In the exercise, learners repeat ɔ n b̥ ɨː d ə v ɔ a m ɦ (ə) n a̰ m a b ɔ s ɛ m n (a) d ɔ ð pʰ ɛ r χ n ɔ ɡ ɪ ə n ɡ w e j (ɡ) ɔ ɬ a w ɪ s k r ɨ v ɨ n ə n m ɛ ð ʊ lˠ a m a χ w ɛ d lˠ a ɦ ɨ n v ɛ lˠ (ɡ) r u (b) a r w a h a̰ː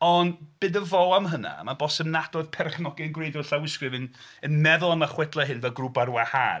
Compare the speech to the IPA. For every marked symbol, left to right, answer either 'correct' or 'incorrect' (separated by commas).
correct, correct, incorrect, correct, correct